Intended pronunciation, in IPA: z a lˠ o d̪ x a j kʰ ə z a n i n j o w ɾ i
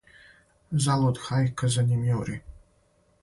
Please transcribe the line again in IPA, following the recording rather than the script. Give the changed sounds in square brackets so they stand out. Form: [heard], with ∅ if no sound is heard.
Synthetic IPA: z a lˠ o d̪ x a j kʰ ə z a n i [m] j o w ɾ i